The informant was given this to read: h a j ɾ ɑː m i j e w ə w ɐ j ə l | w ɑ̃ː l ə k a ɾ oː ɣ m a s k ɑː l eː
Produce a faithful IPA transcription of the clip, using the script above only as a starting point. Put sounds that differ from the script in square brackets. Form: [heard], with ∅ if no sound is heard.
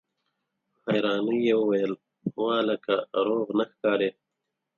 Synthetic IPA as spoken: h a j ɾ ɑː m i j e w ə w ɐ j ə l | w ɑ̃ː l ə k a ɾ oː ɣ [n] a [x] k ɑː [ɾ] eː

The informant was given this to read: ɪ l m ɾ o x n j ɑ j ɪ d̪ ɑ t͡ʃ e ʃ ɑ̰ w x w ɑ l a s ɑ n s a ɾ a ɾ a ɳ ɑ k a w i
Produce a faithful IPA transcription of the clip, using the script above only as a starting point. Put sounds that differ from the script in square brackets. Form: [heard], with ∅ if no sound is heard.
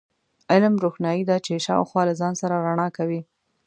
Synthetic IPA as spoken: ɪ l m ɾ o x n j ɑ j [i] d̪ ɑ t͡ʃ e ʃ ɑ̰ w x w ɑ l a [z] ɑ n s a ɾ a ɾ a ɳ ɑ k a w i

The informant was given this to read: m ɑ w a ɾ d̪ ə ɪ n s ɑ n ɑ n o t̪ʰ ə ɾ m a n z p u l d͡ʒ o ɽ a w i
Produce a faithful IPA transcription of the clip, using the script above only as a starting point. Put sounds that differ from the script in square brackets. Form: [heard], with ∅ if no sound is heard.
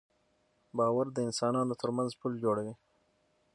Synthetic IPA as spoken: [b] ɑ w a ɾ d̪ ə ɪ n s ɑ n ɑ n o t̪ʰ ə ɾ m a n z p u l d͡ʒ o ɽ a w i

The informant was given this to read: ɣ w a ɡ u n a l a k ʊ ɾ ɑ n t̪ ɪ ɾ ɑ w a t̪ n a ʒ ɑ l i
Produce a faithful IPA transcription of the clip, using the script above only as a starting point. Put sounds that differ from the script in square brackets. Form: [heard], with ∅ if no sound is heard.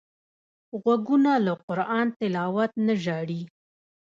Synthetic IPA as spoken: ɣ w a ɡ u n a l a [q] ʊ ɾ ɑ n t̪ ɪ [l] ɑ w a t̪ n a ʒ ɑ [ɽ] i

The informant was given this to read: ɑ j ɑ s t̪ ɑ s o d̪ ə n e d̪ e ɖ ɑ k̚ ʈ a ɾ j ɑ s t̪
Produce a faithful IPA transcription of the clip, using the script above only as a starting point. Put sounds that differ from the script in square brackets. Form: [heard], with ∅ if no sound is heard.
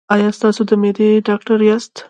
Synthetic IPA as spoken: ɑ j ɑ s t̪ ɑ s o d̪ ə [m] e d̪ e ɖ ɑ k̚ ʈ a ɾ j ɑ s t̪

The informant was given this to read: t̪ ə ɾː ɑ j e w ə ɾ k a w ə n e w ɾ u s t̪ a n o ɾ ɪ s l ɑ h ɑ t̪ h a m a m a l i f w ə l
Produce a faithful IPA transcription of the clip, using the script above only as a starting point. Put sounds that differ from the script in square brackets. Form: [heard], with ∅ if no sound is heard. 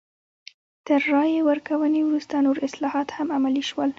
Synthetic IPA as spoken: t̪ ə ɾː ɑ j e w ə ɾ k a w ə n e w ɾ u s t̪ a n o ɾ ɪ s l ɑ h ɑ t̪ h a m a m a l i [ʃ] w ə l

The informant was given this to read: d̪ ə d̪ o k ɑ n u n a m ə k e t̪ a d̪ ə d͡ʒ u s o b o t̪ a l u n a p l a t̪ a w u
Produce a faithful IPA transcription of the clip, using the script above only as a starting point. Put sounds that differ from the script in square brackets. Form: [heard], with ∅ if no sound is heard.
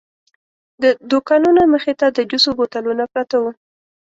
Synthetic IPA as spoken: d̪ ə d̪ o k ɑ n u n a m ə [x] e t̪ a d̪ ə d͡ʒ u s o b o t̪ a l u n a p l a t̪ a w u

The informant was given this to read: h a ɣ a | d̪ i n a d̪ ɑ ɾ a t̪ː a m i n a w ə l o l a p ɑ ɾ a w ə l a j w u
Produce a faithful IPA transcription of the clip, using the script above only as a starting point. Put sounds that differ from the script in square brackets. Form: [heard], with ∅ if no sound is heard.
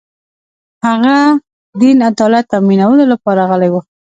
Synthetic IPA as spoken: h a ɣ a | d̪ i n a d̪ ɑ [l] a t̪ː a m i n a w ə l o l a p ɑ ɾ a [ɣ] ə l a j w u

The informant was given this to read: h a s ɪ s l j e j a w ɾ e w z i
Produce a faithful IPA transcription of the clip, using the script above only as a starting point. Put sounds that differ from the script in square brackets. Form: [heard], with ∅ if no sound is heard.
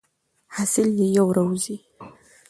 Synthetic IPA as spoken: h a s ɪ [∅] l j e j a w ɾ [a] w z i

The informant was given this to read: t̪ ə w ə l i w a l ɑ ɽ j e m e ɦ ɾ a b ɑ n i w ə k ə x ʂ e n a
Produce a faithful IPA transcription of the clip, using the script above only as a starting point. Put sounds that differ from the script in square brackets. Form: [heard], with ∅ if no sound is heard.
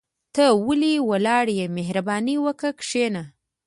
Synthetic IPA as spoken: t̪ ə w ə l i w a l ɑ ɽ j e m e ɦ ɾ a b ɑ n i w ə k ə [k] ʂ e n a

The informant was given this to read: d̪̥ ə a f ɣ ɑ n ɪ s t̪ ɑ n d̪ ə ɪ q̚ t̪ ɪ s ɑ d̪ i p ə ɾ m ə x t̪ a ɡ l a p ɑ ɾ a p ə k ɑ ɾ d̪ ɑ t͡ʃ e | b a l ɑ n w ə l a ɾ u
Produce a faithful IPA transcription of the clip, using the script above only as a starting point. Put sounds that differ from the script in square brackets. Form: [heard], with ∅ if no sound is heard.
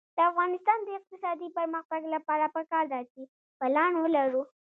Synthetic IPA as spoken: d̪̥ ə a f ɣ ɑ n ɪ s t̪ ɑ n d̪ ə ɪ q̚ t̪ ɪ s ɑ d̪ i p ə ɾ m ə x t̪ a ɡ l a p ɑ ɾ a p ə k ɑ ɾ d̪ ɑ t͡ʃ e | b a l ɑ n w ə l a ɾ u

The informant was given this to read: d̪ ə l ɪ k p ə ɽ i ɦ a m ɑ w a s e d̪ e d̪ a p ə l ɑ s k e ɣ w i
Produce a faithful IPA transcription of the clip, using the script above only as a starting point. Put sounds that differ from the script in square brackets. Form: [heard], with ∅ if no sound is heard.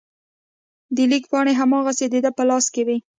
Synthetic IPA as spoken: d̪ ə l [i] k p [ɑ] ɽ [e] ɦ a m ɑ [ɣ] a s e d̪ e d̪ a p ə l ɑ s k e [∅] w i

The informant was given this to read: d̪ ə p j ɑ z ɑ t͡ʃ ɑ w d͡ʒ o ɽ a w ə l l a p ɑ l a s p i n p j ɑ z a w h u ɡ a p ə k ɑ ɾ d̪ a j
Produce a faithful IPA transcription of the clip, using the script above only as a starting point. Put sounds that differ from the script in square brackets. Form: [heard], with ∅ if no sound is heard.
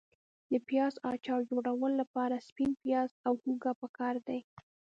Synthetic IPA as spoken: d̪ ə p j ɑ z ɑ t͡ʃ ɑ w d͡ʒ o ɽ a w ə l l a p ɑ [ɾ] a s p i n p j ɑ z a w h u ɡ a p ə k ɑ ɾ d̪ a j

